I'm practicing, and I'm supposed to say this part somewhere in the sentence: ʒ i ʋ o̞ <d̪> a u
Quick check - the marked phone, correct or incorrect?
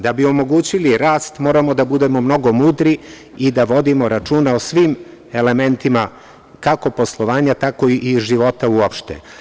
incorrect